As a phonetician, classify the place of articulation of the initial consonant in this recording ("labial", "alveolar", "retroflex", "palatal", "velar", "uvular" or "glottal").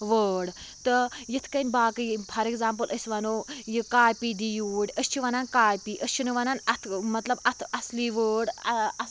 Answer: labial